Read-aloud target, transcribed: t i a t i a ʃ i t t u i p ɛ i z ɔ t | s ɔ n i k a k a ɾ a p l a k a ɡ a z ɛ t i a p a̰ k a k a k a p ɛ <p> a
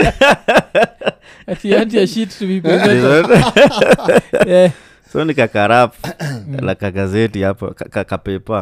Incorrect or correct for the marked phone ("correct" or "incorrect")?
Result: correct